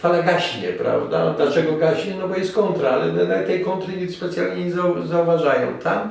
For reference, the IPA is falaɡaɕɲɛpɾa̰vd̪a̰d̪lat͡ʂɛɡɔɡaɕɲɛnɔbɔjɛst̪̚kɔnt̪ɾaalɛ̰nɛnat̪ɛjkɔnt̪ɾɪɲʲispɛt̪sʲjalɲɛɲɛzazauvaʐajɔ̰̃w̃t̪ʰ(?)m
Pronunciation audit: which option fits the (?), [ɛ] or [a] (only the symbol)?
a